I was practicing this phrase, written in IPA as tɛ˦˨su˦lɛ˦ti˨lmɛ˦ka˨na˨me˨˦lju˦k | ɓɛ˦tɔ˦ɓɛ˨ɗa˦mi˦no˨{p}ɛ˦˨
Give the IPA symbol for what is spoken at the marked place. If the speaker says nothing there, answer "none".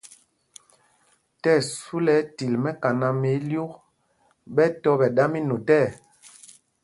t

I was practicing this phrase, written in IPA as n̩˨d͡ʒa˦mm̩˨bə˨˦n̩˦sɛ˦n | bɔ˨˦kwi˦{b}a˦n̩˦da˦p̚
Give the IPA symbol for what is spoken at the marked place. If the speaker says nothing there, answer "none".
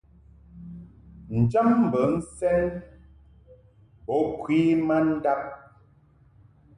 m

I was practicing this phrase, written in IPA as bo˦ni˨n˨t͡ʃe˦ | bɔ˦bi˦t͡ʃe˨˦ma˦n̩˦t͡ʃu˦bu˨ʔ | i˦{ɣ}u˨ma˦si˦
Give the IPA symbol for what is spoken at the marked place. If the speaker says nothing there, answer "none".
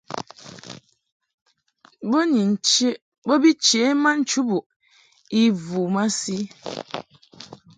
v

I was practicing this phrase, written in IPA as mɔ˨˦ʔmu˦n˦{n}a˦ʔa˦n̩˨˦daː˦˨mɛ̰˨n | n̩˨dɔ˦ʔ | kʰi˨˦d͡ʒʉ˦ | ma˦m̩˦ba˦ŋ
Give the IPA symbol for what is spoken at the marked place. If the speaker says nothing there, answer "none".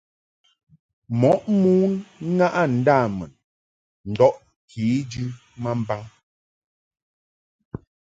ŋ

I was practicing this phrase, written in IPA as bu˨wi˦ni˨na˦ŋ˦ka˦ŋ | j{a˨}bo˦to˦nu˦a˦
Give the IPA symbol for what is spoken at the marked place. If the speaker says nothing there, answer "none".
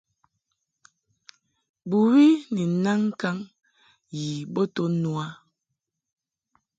i˨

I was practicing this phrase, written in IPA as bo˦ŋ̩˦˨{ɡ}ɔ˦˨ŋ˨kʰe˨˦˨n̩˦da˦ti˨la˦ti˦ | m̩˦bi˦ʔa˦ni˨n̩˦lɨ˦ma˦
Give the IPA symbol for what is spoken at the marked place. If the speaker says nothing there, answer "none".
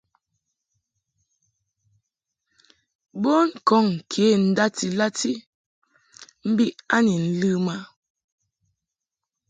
k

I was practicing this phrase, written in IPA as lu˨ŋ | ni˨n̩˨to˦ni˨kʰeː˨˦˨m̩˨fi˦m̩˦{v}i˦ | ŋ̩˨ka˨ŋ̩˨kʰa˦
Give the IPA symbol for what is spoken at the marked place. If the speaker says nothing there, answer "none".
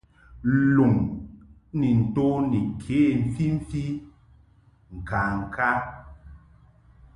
f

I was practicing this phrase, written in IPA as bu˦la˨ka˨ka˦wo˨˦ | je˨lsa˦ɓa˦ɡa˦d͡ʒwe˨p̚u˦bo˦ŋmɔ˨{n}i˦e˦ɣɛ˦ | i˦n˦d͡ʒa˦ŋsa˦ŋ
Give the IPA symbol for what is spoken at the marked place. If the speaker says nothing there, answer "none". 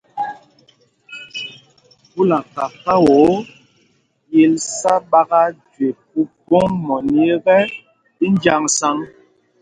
n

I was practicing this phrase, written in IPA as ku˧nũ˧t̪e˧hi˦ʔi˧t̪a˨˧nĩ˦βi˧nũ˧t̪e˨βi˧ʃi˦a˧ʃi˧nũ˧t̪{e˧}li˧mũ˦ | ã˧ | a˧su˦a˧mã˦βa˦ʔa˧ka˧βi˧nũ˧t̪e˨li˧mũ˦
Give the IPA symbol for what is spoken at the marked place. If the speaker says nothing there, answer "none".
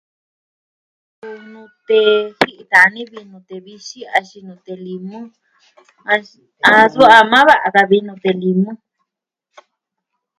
e˧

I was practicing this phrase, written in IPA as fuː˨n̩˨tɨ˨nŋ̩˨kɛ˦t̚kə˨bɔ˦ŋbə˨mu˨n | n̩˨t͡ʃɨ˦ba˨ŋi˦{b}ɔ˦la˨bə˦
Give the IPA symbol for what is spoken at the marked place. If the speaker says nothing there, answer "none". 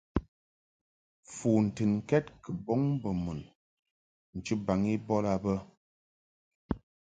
b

